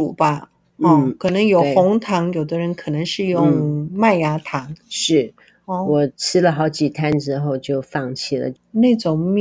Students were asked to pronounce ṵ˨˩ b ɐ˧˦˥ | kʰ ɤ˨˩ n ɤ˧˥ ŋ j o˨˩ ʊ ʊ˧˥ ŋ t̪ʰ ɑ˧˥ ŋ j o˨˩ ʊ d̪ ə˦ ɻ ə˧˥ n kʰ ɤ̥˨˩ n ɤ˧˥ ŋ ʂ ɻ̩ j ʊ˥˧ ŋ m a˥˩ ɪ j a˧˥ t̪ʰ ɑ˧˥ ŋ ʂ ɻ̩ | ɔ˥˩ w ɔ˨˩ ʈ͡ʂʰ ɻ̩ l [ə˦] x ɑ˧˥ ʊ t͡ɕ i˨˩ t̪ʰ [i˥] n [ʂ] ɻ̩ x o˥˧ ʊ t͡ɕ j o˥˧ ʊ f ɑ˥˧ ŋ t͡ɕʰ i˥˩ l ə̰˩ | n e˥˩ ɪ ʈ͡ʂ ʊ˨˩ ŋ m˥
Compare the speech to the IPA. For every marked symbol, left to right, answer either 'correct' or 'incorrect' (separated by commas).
incorrect, incorrect, incorrect